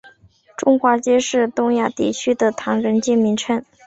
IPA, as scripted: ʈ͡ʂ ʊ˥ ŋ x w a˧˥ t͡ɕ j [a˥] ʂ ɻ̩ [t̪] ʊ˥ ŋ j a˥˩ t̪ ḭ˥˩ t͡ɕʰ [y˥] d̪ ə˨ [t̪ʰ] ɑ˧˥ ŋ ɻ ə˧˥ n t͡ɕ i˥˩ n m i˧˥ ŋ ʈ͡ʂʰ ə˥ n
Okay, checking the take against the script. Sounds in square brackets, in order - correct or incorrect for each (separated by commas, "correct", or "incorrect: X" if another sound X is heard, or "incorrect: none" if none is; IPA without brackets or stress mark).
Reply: incorrect: ɛ˥, correct, correct, correct